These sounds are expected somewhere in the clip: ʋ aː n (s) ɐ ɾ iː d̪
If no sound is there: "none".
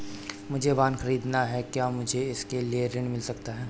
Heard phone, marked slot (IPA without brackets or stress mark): x